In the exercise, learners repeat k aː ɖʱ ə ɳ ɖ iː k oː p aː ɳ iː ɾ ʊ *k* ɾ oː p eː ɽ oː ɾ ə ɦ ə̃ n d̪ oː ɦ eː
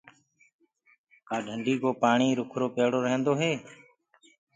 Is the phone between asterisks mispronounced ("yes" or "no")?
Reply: yes